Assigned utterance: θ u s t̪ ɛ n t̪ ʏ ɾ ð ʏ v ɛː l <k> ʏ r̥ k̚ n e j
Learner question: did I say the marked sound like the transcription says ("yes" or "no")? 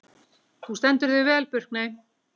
no